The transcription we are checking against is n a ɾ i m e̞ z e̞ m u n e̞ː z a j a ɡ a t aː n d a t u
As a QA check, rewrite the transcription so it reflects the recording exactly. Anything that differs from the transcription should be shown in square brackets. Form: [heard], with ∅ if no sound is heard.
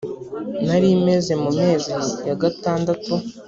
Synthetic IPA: n a ɾ i m e̞ z e̞ m u [m] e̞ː z [i] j a ɡ a t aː n d a t u